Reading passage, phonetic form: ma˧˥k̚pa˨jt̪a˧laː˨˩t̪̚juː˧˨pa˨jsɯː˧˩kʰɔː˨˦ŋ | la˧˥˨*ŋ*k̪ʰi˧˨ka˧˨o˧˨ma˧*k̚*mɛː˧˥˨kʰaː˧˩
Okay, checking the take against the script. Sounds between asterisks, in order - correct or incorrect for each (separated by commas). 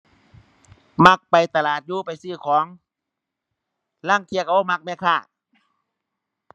correct, correct